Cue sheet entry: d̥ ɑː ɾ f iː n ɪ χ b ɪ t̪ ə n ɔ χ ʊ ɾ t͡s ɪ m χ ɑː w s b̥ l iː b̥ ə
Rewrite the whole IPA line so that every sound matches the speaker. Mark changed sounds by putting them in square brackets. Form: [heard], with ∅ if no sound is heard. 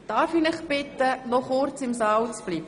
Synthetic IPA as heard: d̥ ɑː ɾ f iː n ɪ χ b ɪ t̪ ə n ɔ χ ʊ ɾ t͡s ɪ m [s] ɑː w [t͡s] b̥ l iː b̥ ə